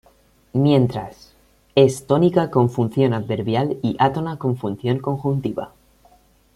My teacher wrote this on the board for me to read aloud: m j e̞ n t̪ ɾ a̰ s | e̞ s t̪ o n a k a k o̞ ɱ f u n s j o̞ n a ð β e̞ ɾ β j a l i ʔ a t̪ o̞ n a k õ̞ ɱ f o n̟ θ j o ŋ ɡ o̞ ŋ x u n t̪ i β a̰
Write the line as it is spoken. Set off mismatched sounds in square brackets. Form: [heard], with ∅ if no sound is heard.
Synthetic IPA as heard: m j e̞ n t̪ ɾ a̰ s | e̞ s t̪ o n [i] k a k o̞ ɱ f u n [θ] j o̞ n a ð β e̞ ɾ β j a l i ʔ a t̪ o̞ n a k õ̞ ɱ f [u] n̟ θ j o ŋ [k] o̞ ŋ x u n t̪ i β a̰